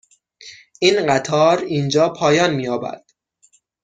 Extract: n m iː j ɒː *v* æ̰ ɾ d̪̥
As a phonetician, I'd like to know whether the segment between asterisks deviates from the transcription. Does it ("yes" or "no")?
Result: yes